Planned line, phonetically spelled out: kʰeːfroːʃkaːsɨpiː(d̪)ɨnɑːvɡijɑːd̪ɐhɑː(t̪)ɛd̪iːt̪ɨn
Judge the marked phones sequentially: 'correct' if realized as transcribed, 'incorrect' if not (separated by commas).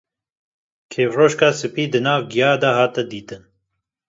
correct, correct